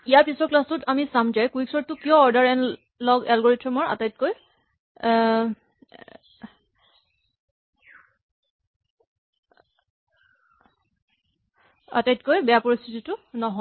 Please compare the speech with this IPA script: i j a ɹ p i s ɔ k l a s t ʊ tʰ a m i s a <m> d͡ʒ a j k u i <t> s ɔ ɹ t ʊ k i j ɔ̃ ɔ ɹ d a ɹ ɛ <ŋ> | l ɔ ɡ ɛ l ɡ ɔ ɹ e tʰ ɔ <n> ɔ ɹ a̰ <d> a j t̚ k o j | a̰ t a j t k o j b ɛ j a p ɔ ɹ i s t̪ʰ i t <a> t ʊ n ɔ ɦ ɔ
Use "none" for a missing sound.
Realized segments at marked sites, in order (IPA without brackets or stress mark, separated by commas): m, k, n, m, t, i